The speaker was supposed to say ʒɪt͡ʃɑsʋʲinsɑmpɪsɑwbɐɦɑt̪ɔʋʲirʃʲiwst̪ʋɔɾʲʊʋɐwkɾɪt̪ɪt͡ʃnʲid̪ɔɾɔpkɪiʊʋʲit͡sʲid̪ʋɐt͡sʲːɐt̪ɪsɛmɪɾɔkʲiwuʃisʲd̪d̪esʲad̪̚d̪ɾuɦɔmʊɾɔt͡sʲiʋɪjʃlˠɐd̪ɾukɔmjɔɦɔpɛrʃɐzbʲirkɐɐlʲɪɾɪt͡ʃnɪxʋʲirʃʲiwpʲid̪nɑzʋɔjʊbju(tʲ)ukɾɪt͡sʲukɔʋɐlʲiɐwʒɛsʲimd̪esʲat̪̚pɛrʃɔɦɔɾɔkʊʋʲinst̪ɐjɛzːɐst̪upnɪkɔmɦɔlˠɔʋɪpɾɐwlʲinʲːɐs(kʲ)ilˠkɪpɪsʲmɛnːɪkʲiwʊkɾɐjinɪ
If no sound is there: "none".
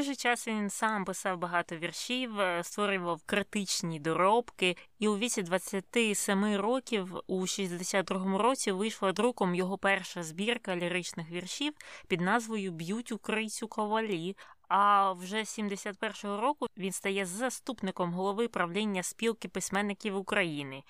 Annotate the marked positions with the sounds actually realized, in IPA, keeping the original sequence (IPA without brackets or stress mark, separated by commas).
tʲ, pʲ